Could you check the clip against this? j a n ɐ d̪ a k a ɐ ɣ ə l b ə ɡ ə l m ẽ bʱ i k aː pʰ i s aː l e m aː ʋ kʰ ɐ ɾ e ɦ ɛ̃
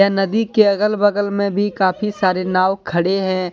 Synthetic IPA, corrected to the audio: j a n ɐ d̪ i k e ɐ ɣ ə l b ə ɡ ə l m ẽ bʱ i k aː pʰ i s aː ɾ e n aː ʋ kʰ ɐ ɽ e ɦ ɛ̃